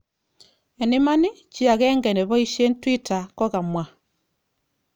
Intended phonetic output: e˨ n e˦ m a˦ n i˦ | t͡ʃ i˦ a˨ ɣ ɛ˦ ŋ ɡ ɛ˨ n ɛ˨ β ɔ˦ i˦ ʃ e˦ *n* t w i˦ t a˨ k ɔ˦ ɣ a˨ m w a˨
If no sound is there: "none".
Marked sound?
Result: n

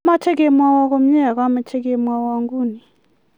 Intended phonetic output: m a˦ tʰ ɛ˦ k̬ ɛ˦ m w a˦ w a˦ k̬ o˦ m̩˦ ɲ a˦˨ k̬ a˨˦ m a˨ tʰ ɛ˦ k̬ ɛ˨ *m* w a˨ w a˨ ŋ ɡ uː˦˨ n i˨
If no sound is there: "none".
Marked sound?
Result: m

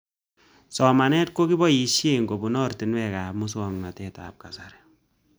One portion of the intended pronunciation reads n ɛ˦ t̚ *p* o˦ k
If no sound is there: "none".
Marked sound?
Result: k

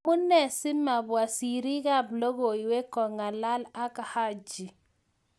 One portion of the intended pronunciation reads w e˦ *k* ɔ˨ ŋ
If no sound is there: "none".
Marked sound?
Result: k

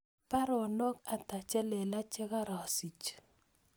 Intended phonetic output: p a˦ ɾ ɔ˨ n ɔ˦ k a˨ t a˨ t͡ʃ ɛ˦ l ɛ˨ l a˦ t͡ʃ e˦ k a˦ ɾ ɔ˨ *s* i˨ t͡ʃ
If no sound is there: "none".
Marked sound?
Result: s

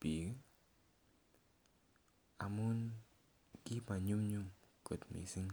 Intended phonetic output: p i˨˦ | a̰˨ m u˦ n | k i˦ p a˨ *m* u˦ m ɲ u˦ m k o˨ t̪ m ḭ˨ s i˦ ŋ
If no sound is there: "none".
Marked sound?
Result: ɲ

